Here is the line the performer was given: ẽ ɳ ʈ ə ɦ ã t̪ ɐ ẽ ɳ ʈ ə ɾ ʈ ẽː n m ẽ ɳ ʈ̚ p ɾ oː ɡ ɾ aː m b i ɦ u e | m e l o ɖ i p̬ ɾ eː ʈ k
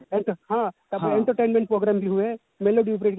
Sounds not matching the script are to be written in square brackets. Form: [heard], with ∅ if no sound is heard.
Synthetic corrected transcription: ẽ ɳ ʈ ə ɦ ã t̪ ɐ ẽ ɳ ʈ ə ɾ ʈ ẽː n m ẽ ɳ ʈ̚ p ɾ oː ɡ ɾ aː m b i ɦ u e | m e l o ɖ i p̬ ɾ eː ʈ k